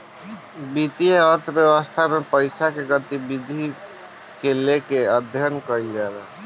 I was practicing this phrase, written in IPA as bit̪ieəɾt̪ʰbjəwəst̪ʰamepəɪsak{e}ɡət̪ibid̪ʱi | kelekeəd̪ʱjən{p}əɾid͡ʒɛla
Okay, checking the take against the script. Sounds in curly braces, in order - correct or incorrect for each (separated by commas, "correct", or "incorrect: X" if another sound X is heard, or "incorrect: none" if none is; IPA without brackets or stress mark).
correct, incorrect: k